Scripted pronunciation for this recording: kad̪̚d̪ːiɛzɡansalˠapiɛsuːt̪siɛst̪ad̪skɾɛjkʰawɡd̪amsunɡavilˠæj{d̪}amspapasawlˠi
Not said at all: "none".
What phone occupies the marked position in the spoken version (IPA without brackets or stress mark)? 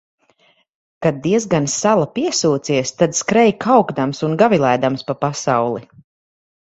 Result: d̪